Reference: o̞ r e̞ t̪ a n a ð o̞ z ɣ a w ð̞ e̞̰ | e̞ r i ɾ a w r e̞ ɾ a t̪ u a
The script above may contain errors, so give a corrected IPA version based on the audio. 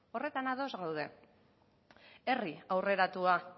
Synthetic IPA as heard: o̞ r e̞ t̪ a n a ð o̞ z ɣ a w ð̞ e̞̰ | e̞ r i a w r e̞ ɾ a t̪ u a